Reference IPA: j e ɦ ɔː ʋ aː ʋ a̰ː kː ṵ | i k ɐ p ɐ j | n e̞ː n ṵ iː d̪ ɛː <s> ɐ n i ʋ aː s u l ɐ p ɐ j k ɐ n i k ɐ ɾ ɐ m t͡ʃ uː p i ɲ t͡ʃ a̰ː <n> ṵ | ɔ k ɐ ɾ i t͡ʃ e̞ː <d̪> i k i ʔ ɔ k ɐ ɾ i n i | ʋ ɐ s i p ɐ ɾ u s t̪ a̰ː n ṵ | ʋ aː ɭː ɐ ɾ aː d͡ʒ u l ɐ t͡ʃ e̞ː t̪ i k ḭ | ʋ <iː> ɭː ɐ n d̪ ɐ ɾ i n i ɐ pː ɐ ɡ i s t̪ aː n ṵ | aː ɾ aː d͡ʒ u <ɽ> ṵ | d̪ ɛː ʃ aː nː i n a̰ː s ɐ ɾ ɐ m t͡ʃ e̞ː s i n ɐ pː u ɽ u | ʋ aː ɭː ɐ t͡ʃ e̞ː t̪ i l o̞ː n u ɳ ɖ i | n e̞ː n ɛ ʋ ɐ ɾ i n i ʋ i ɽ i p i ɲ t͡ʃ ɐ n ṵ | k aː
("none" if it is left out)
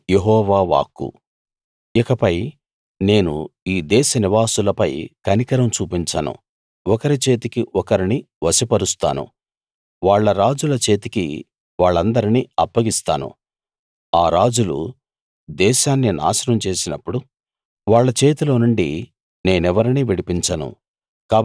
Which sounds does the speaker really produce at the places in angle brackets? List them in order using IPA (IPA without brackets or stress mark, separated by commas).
ʃ, n, t̪, aː, l